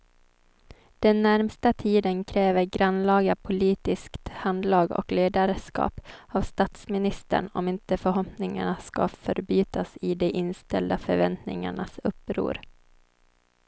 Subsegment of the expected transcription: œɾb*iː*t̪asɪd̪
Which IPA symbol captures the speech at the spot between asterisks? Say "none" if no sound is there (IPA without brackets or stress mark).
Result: yː